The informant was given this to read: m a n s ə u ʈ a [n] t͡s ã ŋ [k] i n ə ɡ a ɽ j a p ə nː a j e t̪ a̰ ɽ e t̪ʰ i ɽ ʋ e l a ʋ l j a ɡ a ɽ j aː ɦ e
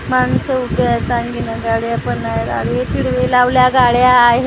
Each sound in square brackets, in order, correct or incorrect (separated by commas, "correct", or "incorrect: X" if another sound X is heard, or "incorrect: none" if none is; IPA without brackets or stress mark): incorrect: none, incorrect: ɡ